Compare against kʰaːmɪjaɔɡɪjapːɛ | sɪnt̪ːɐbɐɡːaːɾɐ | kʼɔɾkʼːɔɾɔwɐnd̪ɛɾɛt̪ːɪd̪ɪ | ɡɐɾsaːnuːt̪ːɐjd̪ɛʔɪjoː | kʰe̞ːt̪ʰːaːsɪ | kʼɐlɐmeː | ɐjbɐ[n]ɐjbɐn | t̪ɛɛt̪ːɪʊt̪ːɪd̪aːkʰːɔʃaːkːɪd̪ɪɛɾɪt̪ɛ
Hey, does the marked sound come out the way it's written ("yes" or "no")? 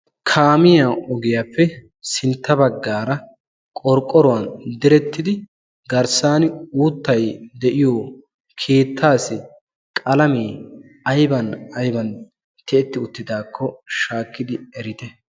yes